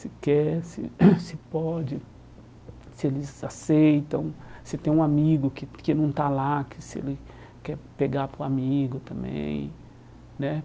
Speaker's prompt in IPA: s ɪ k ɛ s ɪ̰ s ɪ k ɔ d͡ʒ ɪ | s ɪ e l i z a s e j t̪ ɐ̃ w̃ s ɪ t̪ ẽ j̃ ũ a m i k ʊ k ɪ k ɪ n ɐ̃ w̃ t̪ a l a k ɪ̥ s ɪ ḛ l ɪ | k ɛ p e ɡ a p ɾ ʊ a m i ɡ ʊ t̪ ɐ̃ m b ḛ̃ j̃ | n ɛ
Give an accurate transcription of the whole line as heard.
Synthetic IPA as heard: s ɪ k ɛ s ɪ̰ s ɪ p ɔ d͡ʒ ɪ | s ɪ e l ɪ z a s e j t̪ ɐ̃ w̃ s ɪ t̪ ẽ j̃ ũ a m i ɡ ʊ k ɪ k ɪ n ɐ̃ w̃ t̪ a l a k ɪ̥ s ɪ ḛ l ɪ | k ɛ p e ɡ a p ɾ ʊ a m i ɡ ʊ t̪ ɐ̃ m b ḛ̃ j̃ | n ɛ